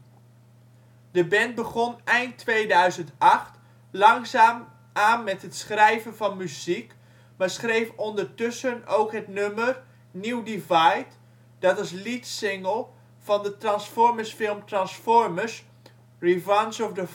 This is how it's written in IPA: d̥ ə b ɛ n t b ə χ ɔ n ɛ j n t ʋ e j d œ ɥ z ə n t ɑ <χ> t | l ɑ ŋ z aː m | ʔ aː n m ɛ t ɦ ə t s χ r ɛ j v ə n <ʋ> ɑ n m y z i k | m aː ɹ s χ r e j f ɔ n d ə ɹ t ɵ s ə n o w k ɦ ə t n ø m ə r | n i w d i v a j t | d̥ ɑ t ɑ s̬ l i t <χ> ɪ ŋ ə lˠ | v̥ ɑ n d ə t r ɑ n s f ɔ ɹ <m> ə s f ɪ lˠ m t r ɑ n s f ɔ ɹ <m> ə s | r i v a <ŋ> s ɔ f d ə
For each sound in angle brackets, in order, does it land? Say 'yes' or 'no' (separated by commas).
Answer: yes, no, no, yes, yes, no